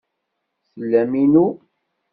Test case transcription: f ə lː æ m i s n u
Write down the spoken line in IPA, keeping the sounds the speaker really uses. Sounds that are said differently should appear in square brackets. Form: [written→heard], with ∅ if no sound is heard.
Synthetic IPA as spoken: [f→s] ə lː æ m i [s→∅] n u